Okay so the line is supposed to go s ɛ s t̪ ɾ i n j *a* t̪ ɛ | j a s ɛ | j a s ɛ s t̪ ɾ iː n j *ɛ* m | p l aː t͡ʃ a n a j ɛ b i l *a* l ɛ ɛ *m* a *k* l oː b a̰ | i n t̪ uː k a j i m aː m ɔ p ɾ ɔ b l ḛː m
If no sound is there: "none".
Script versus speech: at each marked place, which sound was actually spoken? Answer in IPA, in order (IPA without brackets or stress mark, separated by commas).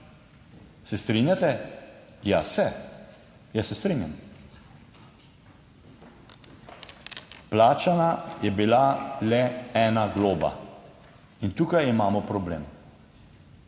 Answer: a, a, a, n, ɡ